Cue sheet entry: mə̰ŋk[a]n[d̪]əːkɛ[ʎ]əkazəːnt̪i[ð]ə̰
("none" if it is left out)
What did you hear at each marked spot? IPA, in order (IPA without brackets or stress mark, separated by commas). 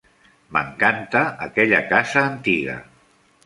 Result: a, t̪, ʎ, ɣ